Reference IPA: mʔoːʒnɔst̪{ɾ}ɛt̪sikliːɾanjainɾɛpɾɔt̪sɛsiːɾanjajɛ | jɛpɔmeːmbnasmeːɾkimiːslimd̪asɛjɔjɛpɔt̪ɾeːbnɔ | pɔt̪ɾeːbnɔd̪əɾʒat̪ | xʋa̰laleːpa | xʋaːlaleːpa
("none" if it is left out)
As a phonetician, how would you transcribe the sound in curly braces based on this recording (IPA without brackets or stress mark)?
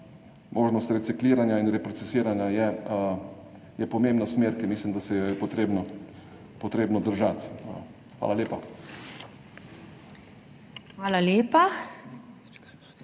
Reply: ɾ